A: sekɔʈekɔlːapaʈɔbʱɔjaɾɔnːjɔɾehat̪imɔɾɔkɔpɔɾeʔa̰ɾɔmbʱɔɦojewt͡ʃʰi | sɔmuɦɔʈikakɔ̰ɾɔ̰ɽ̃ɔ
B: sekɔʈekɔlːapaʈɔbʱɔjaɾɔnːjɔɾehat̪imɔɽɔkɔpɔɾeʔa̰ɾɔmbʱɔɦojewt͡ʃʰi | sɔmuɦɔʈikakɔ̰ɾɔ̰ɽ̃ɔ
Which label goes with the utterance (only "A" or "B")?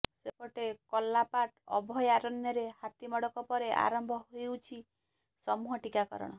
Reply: B